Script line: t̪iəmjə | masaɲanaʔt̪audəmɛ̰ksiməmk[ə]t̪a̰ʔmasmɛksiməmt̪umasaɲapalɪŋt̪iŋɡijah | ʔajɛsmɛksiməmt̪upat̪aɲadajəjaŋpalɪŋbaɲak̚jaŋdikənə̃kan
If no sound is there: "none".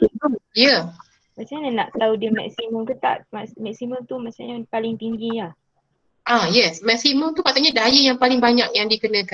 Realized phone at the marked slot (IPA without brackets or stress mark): ə